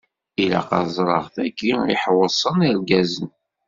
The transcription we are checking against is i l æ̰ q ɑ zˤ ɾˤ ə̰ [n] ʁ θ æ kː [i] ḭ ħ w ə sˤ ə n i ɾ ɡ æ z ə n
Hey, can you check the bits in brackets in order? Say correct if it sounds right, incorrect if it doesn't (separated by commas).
incorrect, correct